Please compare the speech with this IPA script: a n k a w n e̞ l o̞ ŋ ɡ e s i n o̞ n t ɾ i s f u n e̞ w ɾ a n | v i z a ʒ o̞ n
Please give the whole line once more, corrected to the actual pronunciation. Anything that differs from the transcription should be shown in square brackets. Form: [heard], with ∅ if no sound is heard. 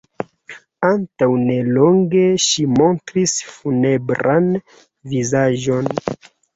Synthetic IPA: a n [t] a w n e̞ l o̞ ŋ ɡ e [ʃ] i [m] o̞ n t ɾ i s f u n e̞ [b] ɾ a n | v i z a ʒ o̞ n